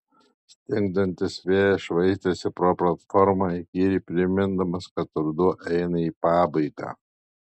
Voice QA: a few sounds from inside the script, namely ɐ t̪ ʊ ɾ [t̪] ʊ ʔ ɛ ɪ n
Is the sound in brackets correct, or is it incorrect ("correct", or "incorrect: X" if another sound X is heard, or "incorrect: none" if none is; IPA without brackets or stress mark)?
incorrect: d̪